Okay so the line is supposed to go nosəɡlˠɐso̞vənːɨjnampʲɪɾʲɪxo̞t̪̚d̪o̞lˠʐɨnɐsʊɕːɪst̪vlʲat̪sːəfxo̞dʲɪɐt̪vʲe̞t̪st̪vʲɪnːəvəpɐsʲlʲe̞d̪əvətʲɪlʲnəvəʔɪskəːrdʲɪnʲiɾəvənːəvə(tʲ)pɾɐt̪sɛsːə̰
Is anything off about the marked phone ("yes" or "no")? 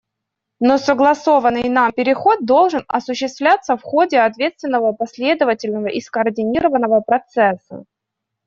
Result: yes